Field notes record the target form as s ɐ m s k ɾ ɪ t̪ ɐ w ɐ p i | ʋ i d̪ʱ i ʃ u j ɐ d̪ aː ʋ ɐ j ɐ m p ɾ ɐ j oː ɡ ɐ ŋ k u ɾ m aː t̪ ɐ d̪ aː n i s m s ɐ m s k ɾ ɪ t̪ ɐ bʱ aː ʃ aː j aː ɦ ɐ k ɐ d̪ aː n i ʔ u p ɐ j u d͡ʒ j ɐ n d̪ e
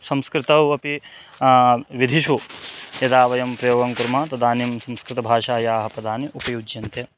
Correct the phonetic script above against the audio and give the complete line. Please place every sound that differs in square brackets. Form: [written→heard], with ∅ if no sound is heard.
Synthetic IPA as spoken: s ɐ m s k ɾ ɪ t̪ ɐ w ɐ p i | ʋ i d̪ʱ i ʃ u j ɐ d̪ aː ʋ ɐ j ɐ m p ɾ ɐ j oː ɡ ɐ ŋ k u ɾ m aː t̪ ɐ d̪ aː n i [s→∅] m s ɐ m s k ɾ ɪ t̪ ɐ bʱ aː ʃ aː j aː ɦ ɐ [k→p] ɐ d̪ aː n i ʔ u p ɐ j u d͡ʒ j ɐ n [d̪→t̪] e